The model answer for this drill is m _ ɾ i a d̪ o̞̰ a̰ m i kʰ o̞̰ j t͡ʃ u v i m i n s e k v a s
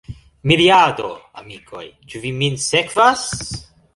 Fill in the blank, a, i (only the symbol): i